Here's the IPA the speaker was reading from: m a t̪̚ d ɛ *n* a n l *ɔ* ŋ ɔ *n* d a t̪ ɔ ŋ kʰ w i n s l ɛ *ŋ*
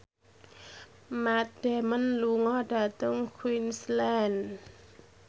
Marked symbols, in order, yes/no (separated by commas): no, no, no, no